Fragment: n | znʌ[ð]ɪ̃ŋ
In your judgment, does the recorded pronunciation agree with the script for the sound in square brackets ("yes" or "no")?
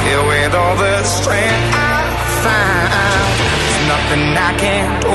no